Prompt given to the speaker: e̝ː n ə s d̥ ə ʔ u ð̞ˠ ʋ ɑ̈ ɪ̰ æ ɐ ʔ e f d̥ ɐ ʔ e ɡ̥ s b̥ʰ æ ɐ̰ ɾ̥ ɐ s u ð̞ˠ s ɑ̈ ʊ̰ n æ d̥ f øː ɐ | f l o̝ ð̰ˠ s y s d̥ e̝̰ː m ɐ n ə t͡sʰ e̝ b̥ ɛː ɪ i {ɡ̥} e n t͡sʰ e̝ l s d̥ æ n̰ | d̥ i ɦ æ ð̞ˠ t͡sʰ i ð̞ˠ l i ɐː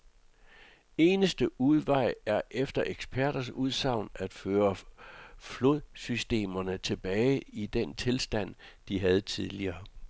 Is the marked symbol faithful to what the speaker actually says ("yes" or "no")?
no